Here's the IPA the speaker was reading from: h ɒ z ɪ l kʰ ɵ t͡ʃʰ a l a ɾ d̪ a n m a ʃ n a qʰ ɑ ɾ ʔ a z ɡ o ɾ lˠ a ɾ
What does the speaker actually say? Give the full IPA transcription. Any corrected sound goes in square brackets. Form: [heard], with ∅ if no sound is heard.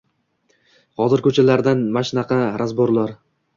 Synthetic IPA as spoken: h ɒ z ɪ [ɾ] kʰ ɵ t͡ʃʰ a l a ɾ d̪ a n m a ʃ n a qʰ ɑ ɾ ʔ a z [b] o ɾ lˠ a ɾ